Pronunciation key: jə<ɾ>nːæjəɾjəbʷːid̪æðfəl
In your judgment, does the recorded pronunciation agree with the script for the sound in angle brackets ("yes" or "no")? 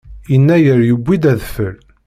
no